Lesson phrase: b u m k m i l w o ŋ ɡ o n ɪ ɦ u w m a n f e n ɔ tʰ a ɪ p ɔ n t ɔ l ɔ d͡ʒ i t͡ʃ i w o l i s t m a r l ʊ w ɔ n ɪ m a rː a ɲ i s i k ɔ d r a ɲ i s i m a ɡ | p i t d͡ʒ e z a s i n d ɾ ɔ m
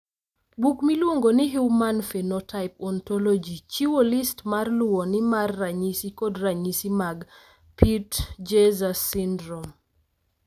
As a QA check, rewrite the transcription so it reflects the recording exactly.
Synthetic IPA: b u k m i l w o ŋ ɡ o n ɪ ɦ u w m a n f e n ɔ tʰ a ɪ p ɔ n t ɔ l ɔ d͡ʒ i t͡ʃ i w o l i s t m a r l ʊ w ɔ n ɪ m a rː a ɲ i s i k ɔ d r a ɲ i s i m a ɡ | p i t d͡ʒ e z a s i n d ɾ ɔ m